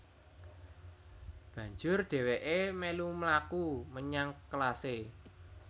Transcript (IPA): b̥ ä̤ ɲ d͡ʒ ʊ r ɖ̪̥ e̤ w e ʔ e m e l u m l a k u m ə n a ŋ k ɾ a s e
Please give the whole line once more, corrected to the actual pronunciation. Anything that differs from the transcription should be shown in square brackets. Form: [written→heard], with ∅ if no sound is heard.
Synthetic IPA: b̥ ä̤ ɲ d͡ʒ ʊ r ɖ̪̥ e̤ w e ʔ e m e l u m l a k u m ə [n→ɲ] a ŋ k [ɾ→l] a s e